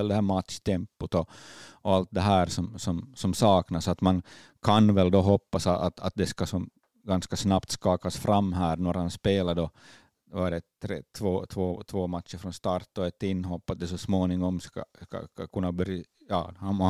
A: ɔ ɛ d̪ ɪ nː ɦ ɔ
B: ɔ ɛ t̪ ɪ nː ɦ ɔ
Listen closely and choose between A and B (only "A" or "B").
B